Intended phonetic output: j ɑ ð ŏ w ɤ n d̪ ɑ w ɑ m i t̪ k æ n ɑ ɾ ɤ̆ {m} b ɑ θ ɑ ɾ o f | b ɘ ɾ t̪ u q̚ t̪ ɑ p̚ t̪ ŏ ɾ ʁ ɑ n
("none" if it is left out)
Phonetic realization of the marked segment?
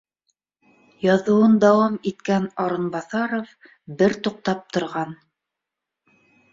n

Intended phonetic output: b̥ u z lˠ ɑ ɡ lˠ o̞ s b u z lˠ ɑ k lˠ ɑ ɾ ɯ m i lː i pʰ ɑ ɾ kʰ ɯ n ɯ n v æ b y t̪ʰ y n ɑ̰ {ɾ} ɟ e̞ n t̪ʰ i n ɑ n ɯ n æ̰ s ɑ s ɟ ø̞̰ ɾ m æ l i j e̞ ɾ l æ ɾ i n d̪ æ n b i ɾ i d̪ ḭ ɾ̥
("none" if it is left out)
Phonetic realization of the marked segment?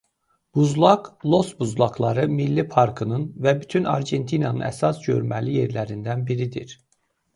ɾ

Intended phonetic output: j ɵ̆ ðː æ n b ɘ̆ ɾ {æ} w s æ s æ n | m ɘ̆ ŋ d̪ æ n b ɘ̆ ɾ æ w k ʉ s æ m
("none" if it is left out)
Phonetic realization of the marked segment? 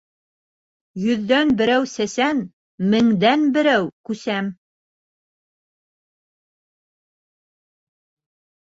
æ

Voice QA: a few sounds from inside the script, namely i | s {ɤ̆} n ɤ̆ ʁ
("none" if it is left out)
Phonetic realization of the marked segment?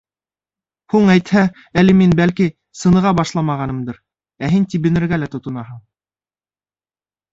ɤ̆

